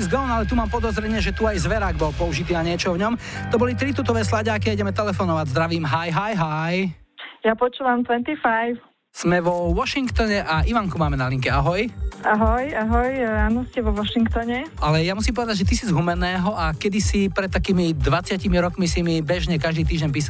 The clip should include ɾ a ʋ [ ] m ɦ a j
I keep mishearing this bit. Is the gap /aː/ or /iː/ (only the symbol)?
iː